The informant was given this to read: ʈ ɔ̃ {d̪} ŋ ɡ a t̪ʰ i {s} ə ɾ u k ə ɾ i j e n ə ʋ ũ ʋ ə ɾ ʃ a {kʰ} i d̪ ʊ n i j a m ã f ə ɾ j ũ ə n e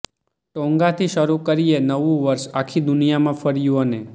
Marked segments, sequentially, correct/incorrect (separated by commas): incorrect, incorrect, correct